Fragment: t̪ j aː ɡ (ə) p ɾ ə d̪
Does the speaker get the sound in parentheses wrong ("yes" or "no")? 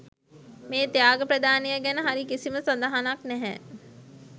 no